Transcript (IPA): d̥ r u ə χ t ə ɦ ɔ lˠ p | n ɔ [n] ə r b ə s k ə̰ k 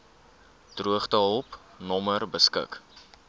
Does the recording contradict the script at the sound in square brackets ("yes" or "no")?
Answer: yes